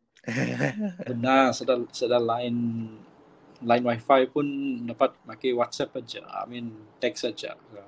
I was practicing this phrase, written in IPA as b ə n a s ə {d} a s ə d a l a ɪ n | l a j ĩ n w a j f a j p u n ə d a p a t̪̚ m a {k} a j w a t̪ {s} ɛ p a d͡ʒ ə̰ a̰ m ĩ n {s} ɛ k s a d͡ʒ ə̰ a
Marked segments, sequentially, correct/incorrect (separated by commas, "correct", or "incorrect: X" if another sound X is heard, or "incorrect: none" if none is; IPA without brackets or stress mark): correct, correct, correct, incorrect: t